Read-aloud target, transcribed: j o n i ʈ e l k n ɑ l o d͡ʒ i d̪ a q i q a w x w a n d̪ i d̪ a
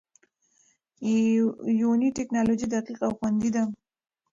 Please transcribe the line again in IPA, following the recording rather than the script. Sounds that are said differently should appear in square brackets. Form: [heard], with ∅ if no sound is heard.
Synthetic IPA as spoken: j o n i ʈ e [∅] k n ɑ l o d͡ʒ i d̪ a q i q a w x w a n d̪ i d̪ a